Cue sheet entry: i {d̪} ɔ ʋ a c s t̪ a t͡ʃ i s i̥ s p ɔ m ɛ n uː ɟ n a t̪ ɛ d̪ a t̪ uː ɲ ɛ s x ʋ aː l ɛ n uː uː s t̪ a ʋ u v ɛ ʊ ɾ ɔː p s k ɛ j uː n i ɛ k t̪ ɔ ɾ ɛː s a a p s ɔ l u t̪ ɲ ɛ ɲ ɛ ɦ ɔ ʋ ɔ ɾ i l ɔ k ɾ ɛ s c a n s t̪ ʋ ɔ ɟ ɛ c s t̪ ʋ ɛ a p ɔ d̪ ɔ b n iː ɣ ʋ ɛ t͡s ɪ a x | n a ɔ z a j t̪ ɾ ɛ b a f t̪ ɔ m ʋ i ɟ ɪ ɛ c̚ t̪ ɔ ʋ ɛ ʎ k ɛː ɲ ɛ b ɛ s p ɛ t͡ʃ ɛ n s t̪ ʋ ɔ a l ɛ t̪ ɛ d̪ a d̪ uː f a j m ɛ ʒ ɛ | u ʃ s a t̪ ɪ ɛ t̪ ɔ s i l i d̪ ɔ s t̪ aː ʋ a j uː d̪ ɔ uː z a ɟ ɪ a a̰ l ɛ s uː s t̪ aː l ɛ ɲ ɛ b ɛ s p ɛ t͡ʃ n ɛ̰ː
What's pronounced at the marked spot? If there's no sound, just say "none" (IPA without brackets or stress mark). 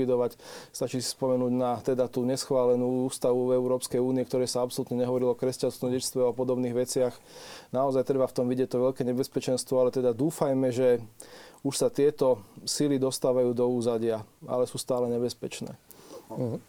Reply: d̪